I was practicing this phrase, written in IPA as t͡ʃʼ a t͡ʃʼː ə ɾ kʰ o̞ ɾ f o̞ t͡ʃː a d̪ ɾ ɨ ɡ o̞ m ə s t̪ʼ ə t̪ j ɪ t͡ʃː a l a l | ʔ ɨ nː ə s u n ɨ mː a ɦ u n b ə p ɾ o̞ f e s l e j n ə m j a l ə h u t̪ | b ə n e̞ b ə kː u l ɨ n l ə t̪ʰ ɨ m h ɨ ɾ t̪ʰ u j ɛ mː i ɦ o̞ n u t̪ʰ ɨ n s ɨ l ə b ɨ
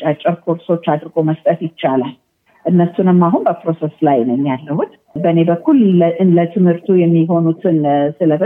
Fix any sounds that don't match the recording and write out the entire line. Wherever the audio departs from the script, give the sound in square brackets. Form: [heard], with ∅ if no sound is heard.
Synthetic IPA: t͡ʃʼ a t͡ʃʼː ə ɾ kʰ o̞ ɾ [s] o̞ t͡ʃː a d̪ ɾ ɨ ɡ o̞ m ə s t̪ʼ ə t̪ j ɪ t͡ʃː a l a l | ʔ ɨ nː ə s u n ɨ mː a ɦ u n b ə p ɾ o̞ [s] e s l [a] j n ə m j a [lː] ə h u t̪ | b ə n e̞ b ə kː u l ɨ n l ə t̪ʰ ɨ m h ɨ ɾ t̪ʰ u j ɛ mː i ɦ o̞ n u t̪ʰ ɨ n s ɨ l ə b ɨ